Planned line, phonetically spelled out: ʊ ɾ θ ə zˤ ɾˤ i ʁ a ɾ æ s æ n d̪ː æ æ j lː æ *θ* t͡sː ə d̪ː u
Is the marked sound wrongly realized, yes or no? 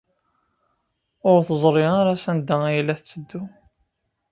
no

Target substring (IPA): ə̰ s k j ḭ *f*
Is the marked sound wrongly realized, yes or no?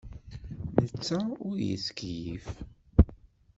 no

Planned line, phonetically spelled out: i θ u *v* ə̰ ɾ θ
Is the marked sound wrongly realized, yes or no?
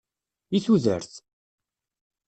yes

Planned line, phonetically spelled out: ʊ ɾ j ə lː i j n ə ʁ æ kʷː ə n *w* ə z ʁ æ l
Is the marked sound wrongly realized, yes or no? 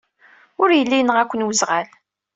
no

